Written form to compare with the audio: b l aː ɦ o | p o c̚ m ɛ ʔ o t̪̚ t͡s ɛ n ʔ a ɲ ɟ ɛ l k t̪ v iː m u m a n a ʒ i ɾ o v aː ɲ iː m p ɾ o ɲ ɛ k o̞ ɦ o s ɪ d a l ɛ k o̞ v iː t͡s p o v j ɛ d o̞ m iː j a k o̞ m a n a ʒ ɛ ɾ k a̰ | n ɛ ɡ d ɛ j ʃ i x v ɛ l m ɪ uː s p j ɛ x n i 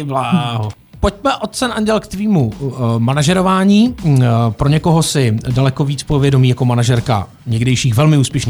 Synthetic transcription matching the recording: b l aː ɦ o | p o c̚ m ɛ ʔ o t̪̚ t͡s ɛ n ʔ a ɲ ɟ ɛ l k t̪ v iː m u m a n a ʒ ɛ ɾ o v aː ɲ iː p ɾ o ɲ ɛ k o̞ ɦ o s ɪ d a l ɛ k o̞ v iː t͡s p o v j ɛ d o̞ m iː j a k o̞ m a n a ʒ ɛ ɾ k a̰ | ɲ ɛ ɡ d ɛ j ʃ iː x v ɛ l m ɪ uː s p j ɛ ʃ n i